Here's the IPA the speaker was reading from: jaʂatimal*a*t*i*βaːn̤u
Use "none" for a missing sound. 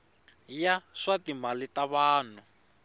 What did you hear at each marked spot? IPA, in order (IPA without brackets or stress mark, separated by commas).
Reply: i, a